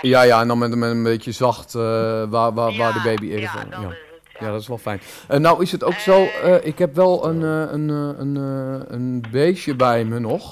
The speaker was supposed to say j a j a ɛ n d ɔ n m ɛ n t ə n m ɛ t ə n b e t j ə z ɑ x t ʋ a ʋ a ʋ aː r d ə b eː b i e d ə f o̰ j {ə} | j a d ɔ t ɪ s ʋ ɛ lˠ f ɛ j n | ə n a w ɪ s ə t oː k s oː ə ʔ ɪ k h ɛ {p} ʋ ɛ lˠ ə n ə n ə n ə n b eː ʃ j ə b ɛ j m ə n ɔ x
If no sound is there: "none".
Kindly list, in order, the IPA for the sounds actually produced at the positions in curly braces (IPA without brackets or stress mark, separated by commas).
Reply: a, p